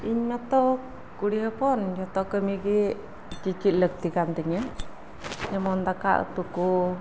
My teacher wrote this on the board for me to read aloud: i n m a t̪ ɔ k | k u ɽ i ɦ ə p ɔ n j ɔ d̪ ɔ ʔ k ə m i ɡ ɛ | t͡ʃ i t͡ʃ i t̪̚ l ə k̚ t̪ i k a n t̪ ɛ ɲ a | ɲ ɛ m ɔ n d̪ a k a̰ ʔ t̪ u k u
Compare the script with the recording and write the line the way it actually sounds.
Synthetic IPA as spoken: i ɲ m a t̪ ɔ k | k u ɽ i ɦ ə p ɔ n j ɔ t̪ ɔ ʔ k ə m i ɡ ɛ | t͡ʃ i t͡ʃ i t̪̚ l ə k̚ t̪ i k a n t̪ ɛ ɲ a | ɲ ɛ m ɔ n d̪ a k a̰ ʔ t̪ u k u